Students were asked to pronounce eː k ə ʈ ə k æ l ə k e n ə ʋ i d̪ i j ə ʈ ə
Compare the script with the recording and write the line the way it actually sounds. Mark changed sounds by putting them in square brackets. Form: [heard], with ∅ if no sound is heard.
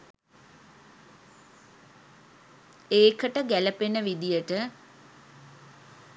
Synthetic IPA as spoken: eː k ə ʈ ə [ɡ] æ l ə [p] e n ə ʋ i d̪ i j ə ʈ ə

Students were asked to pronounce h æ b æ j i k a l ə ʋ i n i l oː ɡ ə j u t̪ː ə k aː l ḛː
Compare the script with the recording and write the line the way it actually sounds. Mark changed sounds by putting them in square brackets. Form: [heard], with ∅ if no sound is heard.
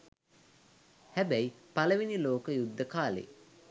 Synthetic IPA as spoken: h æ b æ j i [p] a l ə ʋ i n i l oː [k] ə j u [d̪ː] ə k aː l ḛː

